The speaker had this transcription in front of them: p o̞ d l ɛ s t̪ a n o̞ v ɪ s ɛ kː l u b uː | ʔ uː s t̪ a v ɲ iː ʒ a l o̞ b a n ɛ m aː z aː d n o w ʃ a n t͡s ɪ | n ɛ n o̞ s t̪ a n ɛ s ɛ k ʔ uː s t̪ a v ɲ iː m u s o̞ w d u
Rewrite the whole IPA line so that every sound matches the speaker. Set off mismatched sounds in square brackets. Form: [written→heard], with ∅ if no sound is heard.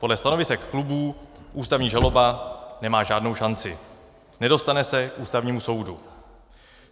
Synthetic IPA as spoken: p o̞ d l ɛ s t̪ a n o̞ v ɪ s ɛ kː l u b uː | ʔ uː s t̪ a v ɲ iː ʒ a l o̞ b a n ɛ m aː [z→ʒ] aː d n o w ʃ a n t͡s ɪ | n ɛ [n→d] o̞ s t̪ a n ɛ s ɛ k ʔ uː s t̪ a v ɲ iː m u s o̞ w d u

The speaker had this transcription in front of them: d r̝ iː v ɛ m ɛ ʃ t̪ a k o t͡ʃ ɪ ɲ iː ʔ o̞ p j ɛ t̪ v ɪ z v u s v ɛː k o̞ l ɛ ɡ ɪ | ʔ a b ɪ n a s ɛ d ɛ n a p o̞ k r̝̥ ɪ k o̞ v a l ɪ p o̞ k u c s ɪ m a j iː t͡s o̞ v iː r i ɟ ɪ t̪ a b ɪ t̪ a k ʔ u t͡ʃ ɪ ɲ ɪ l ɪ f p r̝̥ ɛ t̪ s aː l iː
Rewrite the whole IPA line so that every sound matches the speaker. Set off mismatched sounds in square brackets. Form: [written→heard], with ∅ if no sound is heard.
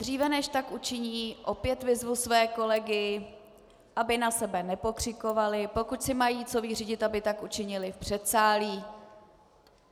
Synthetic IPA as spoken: d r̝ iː v ɛ [m→n] ɛ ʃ t̪ a k [o→u] t͡ʃ ɪ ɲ iː ʔ o̞ p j ɛ t̪ v ɪ z v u s v ɛː k o̞ l ɛ ɡ ɪ | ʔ a b ɪ n a s ɛ [d→b] ɛ n [a→ɛ] p o̞ k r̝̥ ɪ k o̞ v a l ɪ p o̞ k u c s ɪ m a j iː t͡s o̞ v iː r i ɟ ɪ t̪ a b ɪ t̪ a k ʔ u t͡ʃ ɪ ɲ ɪ l ɪ f p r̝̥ ɛ t̪ s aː l iː

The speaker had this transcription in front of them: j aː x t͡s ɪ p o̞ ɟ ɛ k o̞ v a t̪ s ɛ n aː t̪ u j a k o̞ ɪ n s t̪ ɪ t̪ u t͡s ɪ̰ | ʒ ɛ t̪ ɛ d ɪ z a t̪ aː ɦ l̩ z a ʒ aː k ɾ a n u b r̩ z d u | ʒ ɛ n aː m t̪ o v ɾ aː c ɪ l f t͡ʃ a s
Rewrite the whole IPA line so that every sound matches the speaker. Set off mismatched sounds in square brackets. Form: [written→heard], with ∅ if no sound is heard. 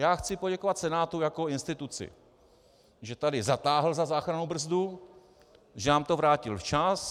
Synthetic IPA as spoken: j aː x t͡s ɪ p o̞ ɟ ɛ k o̞ v a t̪ s ɛ n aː t̪ u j a k o̞ ɪ n s t̪ ɪ t̪ u t͡s ɪ̰ | ʒ ɛ t̪ [ɛ→a] d ɪ z a t̪ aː ɦ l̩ z a [ʒ→z] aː [k→x] ɾ a n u b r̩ z d u | ʒ ɛ n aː m t̪ o v ɾ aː c ɪ l f t͡ʃ a s

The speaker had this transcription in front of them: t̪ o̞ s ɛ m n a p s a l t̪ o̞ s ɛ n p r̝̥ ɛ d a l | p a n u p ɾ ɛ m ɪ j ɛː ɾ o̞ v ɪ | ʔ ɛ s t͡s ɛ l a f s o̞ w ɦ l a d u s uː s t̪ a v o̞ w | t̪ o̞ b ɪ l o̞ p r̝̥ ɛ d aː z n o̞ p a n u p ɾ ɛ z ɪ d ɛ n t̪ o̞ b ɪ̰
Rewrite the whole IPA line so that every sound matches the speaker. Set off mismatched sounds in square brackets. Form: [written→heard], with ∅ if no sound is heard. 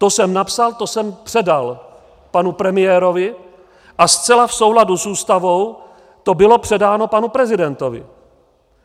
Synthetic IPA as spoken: t̪ o̞ s ɛ m n a p s a l t̪ o̞ s ɛ [n→m] p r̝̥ ɛ d a l | p a n u p ɾ ɛ m ɪ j ɛː ɾ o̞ v ɪ | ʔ [ɛ→a] s t͡s ɛ l a f s o̞ w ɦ l a d u s uː s t̪ a v o̞ w | t̪ o̞ b ɪ l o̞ p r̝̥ ɛ d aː [z→∅] n o̞ p a n u p ɾ ɛ z ɪ d ɛ n t̪ o̞ [b→v] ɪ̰

